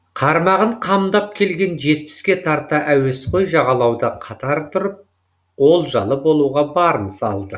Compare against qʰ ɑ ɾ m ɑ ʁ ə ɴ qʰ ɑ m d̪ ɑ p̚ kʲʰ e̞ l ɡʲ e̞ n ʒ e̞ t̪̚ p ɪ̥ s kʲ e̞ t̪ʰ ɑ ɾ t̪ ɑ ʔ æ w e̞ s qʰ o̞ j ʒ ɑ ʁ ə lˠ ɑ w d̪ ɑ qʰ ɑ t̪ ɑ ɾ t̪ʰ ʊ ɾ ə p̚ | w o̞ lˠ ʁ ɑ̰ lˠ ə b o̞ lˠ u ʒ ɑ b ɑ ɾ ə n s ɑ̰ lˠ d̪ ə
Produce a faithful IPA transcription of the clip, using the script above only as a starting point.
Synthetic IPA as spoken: qʰ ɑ ɾ m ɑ ʁ ə ɴ qʰ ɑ m d̪ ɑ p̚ kʲʰ e̞ l ɡʲ e̞ n ʒ e̞ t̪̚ p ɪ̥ s kʲ e̞ t̪ʰ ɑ ɾ t̪ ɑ ʔ æ w e̞ s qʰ o̞ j ʒ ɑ ʁ ɑ lˠ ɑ w d̪ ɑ qʰ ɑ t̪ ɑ ɾ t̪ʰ ʊ ɾ ə p̚ | w o̞ lˠ ʒ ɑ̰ lˠ ə b o̞ lˠ u ʁ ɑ b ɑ ɾ ə n s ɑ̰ lˠ d̪ ə